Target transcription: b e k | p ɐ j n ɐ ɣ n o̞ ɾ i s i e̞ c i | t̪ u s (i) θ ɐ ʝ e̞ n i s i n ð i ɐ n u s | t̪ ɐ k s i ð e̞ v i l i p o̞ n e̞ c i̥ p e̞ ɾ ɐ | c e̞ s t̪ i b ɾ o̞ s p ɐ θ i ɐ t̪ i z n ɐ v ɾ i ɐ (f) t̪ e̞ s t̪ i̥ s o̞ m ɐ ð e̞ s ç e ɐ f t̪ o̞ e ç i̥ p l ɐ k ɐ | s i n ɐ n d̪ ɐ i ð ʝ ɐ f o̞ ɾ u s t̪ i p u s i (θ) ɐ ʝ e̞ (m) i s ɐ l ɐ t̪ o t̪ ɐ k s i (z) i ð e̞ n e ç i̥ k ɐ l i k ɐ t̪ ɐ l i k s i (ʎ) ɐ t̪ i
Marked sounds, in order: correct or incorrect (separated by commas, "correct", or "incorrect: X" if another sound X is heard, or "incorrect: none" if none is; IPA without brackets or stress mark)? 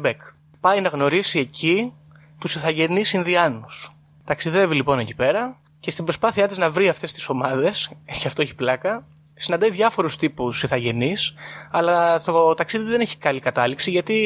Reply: correct, correct, correct, incorrect: n, incorrect: ð, incorrect: ʝ